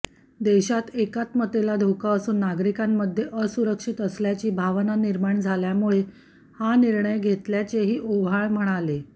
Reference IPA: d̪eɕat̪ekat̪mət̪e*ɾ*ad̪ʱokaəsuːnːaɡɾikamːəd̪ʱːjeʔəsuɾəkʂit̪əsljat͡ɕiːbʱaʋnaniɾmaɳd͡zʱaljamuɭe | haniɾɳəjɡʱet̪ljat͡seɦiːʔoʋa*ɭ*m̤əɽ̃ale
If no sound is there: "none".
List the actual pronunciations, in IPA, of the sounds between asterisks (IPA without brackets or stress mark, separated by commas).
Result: l, ɭ